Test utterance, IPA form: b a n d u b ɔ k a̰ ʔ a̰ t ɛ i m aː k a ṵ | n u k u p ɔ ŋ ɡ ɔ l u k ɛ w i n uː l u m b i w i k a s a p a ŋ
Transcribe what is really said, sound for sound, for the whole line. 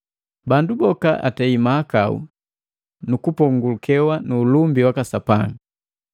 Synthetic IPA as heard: b a n d u b ɔ k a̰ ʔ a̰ t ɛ i m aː k a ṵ | n u k u p ɔ ŋ ɡ u l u k ɛ w a n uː l u m b i w a k a s a p a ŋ